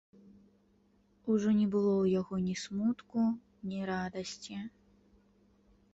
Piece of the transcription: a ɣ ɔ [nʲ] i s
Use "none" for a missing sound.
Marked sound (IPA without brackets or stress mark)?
nʲ